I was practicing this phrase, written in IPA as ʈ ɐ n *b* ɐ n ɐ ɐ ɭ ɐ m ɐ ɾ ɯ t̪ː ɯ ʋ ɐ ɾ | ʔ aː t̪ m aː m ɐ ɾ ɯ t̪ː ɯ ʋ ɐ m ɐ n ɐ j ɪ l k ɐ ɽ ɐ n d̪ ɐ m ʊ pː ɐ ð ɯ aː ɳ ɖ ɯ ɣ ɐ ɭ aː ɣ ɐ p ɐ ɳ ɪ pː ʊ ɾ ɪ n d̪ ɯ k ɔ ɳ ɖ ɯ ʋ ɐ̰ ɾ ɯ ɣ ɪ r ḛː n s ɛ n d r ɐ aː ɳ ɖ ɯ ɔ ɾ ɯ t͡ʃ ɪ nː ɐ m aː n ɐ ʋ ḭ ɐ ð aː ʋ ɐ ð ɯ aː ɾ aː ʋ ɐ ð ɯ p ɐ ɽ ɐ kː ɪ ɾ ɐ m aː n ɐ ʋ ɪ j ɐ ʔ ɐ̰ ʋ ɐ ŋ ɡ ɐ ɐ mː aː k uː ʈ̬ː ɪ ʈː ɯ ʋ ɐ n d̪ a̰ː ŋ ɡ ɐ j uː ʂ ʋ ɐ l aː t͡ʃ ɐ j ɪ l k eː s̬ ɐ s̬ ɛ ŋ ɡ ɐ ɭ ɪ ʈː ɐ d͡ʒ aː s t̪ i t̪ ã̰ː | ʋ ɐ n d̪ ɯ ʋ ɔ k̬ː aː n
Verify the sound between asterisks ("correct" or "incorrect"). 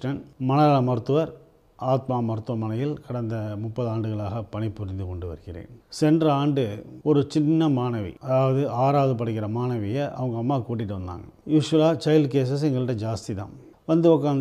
incorrect